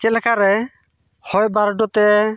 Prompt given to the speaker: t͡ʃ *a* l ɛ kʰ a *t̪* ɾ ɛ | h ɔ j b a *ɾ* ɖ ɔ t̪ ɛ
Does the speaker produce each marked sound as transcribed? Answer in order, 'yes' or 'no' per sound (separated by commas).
no, no, yes